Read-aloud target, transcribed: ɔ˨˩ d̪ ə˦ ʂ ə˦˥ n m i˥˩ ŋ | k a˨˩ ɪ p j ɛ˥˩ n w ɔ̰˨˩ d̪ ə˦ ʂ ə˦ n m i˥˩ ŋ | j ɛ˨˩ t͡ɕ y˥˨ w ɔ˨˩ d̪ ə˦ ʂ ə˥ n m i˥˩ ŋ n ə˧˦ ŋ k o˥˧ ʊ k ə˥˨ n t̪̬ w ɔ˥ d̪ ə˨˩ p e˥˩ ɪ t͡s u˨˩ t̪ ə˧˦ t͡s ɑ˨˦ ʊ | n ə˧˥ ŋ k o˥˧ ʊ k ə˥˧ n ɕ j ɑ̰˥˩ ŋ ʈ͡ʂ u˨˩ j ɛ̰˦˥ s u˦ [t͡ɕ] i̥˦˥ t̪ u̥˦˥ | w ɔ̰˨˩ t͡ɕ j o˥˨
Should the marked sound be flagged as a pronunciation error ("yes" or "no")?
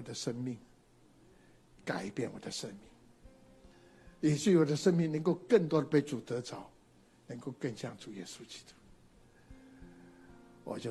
no